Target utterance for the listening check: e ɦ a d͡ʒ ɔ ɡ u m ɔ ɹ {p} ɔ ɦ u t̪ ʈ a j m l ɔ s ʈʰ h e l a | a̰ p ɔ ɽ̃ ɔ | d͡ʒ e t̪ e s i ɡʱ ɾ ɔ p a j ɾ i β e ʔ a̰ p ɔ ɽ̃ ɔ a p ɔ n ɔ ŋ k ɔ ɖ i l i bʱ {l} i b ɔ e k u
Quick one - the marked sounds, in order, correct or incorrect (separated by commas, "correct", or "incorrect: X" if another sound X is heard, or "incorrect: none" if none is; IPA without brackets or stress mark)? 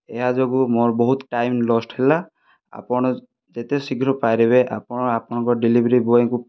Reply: incorrect: b, incorrect: ɾ